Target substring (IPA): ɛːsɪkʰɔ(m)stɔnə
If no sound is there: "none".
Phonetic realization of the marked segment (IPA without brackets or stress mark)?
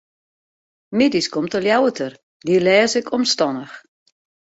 m